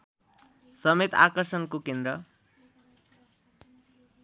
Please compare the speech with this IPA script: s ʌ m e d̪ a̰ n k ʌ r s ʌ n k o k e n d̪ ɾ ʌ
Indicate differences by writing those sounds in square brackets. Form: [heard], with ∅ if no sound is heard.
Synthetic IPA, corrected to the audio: s ʌ m e [t̪] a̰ [∅] k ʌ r s ʌ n k o k e n d̪ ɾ ʌ